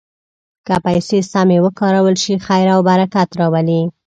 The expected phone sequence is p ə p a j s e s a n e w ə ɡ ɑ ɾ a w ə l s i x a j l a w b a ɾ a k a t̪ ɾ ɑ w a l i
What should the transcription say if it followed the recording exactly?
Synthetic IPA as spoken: k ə p a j s e s a m e w ə k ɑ ɾ a w ə l ʃ i x a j ɾ a w b a ɾ a k a t̪ ɾ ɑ w a l i